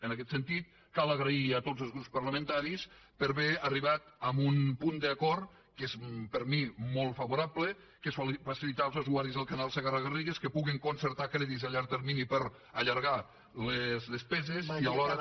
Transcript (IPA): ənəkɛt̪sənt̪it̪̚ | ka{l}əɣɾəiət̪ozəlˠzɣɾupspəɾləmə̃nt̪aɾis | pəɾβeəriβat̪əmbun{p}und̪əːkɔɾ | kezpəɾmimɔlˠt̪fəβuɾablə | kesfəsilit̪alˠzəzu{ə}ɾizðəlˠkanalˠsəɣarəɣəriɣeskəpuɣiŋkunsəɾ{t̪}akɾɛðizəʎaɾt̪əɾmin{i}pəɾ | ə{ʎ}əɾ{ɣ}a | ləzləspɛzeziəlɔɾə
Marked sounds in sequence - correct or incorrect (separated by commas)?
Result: correct, correct, incorrect, correct, correct, correct, correct